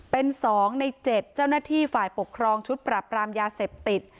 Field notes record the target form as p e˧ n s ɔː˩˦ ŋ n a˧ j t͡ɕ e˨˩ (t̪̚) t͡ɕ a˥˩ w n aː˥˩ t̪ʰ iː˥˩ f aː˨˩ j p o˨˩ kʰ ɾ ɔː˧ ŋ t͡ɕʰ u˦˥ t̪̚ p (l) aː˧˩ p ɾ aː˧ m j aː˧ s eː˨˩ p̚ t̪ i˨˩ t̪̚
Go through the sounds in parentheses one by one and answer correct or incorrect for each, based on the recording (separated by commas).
correct, incorrect